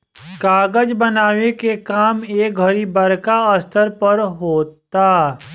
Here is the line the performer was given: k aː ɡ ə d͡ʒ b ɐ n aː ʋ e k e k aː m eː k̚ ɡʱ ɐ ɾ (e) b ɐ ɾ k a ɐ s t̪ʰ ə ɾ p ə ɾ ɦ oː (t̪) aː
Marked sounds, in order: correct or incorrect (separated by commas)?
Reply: incorrect, correct